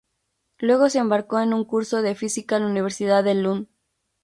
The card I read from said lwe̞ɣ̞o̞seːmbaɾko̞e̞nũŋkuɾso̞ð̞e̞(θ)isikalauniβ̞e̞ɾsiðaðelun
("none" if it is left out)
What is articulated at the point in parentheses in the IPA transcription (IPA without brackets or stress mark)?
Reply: f